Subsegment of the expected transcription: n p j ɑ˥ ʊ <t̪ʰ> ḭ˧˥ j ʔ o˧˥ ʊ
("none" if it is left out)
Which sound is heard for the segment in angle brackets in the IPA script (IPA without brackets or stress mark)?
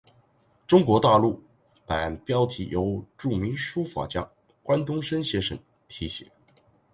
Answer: t̪ʰ